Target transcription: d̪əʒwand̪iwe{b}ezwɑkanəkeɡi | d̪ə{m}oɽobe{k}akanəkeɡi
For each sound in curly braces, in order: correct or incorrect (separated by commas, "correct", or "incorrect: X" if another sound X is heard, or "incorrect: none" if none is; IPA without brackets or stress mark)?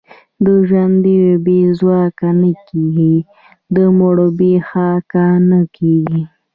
correct, correct, incorrect: x